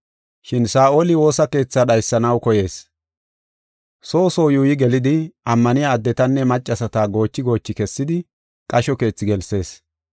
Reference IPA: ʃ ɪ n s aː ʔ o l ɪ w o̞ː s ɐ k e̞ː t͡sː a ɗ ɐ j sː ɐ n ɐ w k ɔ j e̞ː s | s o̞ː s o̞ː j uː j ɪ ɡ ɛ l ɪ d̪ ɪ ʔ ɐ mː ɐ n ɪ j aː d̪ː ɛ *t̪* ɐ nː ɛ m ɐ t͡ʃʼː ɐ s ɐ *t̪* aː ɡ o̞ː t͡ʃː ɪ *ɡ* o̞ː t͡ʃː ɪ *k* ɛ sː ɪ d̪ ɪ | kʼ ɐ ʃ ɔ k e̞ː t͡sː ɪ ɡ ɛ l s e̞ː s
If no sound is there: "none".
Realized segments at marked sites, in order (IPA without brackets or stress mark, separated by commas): t̪, t̪, ɡ, k